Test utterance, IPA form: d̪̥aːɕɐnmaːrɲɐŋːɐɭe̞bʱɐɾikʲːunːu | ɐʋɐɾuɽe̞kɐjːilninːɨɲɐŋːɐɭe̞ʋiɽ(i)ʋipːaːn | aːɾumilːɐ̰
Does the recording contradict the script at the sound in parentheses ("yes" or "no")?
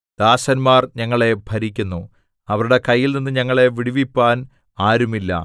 no